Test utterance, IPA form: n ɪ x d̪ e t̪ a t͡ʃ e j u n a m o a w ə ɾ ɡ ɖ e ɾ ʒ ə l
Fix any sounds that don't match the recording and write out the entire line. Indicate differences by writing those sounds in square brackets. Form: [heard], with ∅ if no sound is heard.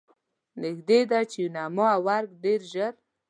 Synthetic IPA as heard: n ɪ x d̪ e [d̪] a t͡ʃ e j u n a m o a w [a] ɾ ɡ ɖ e ɾ ʒ ə [ɾ]